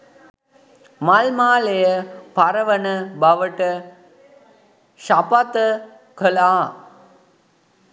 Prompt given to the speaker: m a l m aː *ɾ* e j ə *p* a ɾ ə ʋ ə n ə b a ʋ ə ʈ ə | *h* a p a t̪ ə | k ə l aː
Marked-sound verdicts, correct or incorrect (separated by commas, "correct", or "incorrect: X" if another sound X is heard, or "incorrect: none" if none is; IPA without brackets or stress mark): incorrect: l, correct, incorrect: ʃ